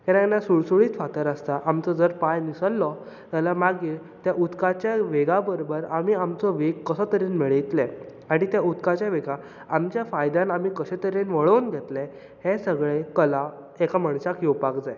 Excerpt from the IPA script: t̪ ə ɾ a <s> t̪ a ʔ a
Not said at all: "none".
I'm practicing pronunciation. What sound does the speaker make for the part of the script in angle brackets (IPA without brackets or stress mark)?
s